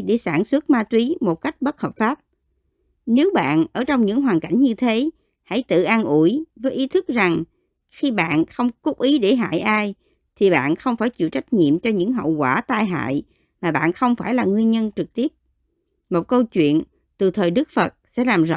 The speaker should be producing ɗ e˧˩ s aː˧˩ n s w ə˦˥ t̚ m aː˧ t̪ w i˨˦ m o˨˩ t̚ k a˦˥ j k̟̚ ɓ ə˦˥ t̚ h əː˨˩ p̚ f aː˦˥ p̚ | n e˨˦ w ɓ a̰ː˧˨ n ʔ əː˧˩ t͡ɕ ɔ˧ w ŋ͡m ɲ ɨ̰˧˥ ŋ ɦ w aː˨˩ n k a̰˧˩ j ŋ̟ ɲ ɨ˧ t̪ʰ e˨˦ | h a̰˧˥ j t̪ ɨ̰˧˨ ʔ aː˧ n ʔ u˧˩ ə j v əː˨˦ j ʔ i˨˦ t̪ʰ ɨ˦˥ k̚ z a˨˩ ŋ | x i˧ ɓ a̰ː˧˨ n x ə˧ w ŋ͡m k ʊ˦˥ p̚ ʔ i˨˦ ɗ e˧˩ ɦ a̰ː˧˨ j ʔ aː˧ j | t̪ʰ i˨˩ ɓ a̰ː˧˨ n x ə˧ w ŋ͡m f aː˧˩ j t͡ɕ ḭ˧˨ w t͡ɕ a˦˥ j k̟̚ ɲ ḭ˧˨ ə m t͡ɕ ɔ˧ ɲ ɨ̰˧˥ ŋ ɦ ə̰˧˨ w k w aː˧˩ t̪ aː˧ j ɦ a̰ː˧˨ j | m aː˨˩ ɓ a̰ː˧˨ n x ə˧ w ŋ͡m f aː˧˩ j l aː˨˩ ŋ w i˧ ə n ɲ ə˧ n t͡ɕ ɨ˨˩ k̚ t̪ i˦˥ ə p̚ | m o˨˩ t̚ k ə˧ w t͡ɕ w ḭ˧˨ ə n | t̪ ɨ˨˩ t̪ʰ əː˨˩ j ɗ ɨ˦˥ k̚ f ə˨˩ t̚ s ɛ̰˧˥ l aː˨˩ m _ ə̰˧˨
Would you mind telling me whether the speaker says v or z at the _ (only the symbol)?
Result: z